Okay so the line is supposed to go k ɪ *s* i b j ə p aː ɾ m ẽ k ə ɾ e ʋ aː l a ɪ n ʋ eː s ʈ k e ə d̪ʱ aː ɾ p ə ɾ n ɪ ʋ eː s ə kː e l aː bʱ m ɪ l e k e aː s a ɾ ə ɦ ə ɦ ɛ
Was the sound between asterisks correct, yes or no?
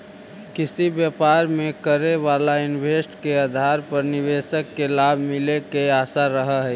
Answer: yes